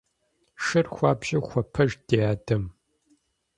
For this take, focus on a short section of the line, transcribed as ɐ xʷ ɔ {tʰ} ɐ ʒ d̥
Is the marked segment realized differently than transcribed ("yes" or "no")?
yes